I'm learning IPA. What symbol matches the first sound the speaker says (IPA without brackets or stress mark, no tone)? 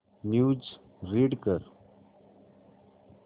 n